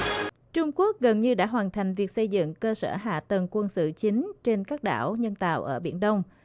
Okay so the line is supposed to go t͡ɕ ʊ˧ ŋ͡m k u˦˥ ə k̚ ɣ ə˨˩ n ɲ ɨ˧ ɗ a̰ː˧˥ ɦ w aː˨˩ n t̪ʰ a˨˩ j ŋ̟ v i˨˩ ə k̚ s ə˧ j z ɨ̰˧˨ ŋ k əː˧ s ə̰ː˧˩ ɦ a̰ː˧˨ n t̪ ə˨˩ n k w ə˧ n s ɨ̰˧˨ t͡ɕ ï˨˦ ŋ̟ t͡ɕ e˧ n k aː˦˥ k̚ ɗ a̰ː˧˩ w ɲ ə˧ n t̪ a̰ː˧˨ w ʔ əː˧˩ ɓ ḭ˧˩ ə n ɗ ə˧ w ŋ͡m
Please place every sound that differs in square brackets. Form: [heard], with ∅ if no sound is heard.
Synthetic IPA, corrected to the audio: t͡ɕ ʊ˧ ŋ͡m k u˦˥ ə k̚ ɣ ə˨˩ n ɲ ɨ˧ ɗ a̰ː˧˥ ɦ w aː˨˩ n t̪ʰ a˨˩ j ŋ̟ v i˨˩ ə k̚ s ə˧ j z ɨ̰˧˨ ŋ k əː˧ s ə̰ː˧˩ ɦ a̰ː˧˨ [∅] t̪ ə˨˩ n k w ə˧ n s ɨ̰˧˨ t͡ɕ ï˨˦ ŋ̟ t͡ɕ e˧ n k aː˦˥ k̚ ɗ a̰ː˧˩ w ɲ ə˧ n t̪ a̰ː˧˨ w ʔ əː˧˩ ɓ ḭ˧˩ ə n ɗ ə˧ w ŋ͡m